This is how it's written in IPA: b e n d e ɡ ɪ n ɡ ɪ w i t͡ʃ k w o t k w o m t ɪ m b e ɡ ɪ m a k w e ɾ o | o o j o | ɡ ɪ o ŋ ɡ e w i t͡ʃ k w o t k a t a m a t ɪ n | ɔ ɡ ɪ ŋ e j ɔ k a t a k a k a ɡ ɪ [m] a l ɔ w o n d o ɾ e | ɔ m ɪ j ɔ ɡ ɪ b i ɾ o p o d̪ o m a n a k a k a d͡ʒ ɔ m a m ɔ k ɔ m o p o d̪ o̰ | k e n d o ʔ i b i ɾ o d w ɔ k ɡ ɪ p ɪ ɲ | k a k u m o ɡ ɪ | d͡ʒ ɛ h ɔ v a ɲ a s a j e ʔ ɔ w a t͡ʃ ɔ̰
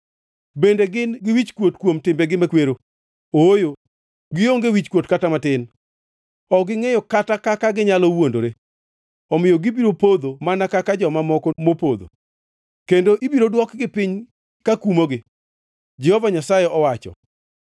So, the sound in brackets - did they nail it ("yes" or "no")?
no